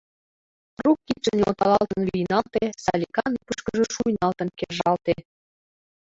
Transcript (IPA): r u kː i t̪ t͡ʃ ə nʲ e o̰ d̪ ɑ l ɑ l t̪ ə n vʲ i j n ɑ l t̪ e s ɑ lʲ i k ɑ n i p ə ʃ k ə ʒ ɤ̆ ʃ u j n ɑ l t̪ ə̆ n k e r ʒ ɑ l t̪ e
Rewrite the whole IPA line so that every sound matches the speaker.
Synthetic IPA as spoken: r u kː i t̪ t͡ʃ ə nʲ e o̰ t̪ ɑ l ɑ l t̪ ə n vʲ i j n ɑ l t̪ e s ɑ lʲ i k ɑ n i p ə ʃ k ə ʒ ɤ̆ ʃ u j n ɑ l t̪ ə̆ n k e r ʒ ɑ l t̪ e